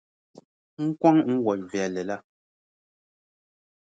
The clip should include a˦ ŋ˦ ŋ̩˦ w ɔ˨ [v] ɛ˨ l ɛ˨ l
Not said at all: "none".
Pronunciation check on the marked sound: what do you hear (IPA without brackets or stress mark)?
v